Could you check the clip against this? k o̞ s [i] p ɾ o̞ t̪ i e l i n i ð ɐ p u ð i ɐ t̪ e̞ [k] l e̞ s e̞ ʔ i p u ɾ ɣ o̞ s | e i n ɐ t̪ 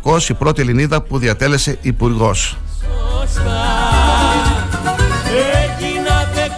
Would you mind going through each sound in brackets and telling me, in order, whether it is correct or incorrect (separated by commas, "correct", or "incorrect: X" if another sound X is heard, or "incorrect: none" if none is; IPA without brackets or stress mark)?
correct, incorrect: none